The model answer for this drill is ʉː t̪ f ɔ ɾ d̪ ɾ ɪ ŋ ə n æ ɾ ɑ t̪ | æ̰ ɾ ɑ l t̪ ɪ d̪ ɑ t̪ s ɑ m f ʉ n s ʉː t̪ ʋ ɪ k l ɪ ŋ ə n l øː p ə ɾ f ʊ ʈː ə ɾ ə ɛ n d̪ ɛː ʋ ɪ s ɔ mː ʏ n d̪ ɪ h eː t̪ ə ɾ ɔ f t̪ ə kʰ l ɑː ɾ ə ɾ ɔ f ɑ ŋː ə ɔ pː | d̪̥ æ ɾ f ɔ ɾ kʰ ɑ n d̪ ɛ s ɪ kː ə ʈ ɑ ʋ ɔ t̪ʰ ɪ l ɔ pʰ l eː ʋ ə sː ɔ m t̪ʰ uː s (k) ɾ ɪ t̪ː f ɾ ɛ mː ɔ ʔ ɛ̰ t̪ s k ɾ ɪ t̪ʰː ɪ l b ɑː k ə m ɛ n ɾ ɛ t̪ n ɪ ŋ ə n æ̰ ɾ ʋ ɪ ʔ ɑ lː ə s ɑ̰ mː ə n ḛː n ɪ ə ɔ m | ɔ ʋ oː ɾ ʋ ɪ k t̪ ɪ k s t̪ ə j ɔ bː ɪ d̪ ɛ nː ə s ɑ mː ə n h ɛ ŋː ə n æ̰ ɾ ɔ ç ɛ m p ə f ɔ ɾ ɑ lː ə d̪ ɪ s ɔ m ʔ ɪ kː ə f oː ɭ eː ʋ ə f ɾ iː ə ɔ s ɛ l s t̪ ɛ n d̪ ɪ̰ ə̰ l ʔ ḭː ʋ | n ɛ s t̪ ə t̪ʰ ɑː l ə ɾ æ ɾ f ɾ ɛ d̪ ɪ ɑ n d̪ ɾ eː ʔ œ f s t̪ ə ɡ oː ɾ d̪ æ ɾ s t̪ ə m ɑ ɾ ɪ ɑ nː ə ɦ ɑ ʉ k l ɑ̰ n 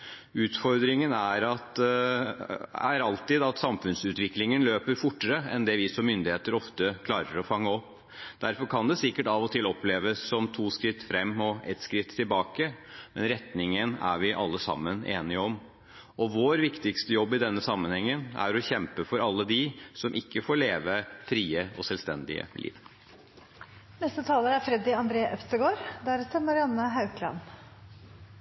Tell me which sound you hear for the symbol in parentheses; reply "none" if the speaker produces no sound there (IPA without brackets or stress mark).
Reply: k